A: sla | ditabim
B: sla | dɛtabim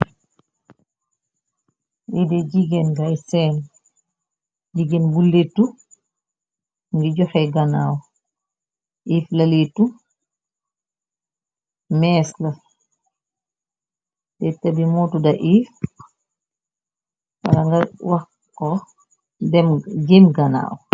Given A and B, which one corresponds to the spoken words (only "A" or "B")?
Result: B